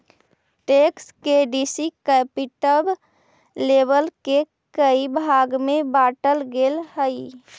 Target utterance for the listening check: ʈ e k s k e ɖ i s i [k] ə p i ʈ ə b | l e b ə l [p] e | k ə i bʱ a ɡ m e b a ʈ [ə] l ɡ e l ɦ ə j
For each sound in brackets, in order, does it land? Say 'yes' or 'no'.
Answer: yes, no, yes

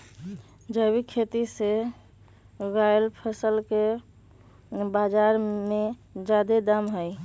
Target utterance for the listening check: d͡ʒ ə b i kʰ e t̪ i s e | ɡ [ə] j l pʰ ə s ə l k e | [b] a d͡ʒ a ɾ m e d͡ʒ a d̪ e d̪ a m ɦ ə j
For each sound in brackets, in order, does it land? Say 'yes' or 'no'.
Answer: no, yes

